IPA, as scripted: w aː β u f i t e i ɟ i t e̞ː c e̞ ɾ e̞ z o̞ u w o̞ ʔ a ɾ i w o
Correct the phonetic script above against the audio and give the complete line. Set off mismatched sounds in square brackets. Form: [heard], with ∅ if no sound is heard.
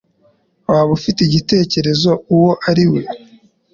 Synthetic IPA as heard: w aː β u f i t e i ɟ i t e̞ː c e̞ ɾ e̞ z o̞ u w o̞ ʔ a ɾ i w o

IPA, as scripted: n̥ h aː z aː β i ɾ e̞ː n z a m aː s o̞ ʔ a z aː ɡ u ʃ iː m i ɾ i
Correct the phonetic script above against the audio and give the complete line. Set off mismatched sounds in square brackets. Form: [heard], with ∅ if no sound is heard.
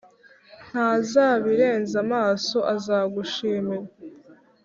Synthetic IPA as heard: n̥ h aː z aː β i ɾ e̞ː n z a m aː s o̞ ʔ a z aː ɡ u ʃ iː m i ɾ [a]

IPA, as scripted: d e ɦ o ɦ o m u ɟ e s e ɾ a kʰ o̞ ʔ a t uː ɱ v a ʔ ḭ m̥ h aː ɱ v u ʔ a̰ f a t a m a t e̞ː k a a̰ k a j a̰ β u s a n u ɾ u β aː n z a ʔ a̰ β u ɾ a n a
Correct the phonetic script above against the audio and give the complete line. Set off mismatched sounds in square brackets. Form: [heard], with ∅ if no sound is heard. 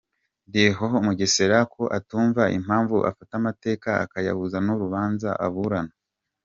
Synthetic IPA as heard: d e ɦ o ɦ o m u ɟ e s e ɾ a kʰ o̞ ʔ a t uː ɱ v a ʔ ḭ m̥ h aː ɱ v u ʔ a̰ f a t a m a t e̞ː k a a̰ k a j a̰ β u [z] a n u ɾ u β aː n z a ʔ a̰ β u ɾ a n a

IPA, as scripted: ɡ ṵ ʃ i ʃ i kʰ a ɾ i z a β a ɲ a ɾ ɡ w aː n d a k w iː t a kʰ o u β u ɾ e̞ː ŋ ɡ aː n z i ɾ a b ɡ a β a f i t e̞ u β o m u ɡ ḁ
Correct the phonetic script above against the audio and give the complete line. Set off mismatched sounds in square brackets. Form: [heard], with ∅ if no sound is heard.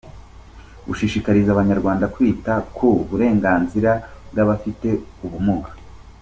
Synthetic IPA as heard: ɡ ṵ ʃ i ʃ i [k] a ɾ i z a β a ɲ a ɾ ɡ w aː n d a k w iː t a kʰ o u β u ɾ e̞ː ŋ ɡ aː n z i ɾ a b ɡ a β a f i t e̞ u β [u] m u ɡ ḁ

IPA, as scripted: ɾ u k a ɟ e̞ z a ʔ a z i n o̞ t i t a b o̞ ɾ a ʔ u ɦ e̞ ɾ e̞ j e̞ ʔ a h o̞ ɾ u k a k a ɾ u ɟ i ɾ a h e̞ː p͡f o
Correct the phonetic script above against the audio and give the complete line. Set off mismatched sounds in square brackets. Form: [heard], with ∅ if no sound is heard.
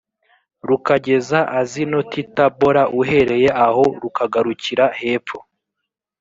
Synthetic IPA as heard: ɾ u k a ɟ e̞ z a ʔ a z i n o̞ t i t a b o̞ ɾ a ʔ u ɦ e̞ ɾ e̞ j e̞ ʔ a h o̞ ɾ u k a [ɡ] a ɾ u [c] i ɾ a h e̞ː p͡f o

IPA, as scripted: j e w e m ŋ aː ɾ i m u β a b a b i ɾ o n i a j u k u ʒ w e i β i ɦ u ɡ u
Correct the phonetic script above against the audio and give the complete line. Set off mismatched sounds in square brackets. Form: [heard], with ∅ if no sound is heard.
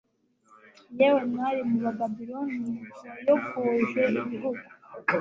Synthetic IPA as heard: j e w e m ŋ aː ɾ i m u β a b a b i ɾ o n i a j [o] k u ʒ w e i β i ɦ u ɡ u

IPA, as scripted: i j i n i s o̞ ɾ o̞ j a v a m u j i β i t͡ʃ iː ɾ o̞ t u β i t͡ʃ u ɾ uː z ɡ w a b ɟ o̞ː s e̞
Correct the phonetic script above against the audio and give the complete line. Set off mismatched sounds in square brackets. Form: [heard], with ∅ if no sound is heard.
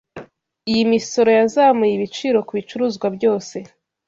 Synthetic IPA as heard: i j i [m] i s o̞ ɾ o̞ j a [z] a m u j i β i t͡ʃ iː ɾ o̞ [k] u β i t͡ʃ u ɾ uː z ɡ w a b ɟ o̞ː s e̞

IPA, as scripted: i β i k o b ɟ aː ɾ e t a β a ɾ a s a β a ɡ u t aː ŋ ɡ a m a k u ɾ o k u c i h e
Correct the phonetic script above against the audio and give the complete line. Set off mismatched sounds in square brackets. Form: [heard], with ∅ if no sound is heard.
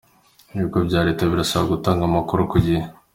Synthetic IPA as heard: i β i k o b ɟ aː ɾ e t a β [i] ɾ a s a β a ɡ u t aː ŋ ɡ a m a k u ɾ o k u [ɟ] i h e

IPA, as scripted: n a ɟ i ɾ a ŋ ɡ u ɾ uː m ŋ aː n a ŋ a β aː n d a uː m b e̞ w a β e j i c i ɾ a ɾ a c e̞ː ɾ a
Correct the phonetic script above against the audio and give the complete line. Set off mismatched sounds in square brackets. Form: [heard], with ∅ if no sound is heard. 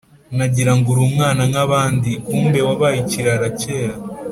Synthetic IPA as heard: n a ɟ i ɾ a ŋ ɡ u ɾ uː m ŋ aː n a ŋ a β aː n d [i] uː m b e̞ w a β [a] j i c i ɾ a ɾ a c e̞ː ɾ a

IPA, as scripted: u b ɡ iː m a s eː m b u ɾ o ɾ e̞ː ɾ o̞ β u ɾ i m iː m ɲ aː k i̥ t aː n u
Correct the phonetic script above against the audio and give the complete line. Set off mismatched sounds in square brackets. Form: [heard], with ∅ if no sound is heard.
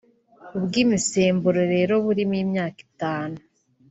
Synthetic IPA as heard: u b ɡ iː m [i] s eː m b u ɾ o ɾ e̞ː ɾ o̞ β u ɾ i m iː m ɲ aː k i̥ t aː n u

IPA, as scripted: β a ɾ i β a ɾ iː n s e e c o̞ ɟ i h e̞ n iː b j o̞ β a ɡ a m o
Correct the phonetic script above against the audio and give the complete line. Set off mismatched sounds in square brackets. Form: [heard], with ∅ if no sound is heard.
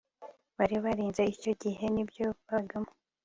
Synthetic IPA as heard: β a ɾ i β a ɾ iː n [z] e [i] c o̞ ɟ i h e̞ n [i] b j o̞ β a ɡ a m o

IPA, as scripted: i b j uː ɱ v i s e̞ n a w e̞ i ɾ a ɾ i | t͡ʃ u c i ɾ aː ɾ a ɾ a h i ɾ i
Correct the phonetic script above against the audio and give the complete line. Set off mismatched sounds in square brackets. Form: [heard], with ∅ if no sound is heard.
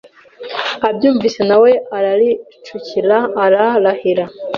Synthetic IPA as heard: [a] b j uː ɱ v i s e̞ n a w e̞ [a] ɾ a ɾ i | t͡ʃ u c i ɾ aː ɾ a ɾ a h i ɾ [a]

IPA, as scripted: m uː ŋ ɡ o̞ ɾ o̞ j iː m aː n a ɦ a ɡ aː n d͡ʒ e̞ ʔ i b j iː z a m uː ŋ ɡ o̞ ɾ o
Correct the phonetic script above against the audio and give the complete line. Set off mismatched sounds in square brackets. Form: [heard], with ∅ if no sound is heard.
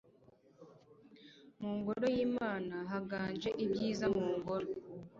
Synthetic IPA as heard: m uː ŋ ɡ o̞ ɾ o̞ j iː m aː n a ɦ a ɡ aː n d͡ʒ e̞ ʔ i b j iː z a m uː ŋ ɡ o̞ ɾ o

